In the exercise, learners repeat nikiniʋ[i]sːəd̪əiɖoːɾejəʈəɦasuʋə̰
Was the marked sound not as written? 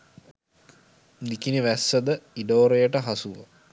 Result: yes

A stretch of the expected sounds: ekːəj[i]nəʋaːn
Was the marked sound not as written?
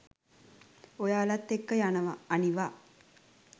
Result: yes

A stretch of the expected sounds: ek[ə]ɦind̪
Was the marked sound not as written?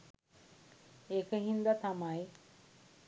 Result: no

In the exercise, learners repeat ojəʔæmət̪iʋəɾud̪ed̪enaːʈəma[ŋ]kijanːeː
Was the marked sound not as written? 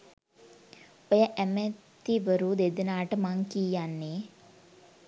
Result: no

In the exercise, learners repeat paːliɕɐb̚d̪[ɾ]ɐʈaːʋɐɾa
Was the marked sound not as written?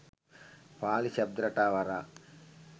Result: no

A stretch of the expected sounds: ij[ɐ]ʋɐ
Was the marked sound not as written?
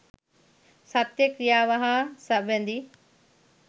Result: yes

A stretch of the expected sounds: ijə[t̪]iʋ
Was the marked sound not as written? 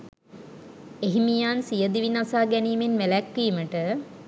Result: yes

